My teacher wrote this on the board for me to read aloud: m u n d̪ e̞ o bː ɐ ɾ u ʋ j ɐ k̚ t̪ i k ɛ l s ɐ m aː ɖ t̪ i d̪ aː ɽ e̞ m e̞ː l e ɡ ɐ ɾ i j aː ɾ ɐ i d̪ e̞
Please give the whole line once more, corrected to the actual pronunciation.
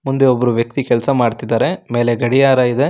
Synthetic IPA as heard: m u n d̪ e̞ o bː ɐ ɾ u ʋ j ɐ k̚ t̪ i k ɛ l s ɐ m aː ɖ t̪ i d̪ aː ɾ e̞ m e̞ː l e ɡ ɐ ɽ i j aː ɾ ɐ i d̪ e̞